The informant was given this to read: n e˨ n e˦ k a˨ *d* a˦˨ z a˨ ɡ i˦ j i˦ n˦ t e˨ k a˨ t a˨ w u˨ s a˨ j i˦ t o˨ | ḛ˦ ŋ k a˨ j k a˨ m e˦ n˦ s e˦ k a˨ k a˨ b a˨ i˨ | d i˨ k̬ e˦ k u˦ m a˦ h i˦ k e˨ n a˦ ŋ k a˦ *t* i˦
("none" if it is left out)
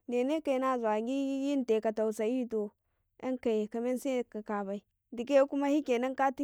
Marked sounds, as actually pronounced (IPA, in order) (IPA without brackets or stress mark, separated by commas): n, t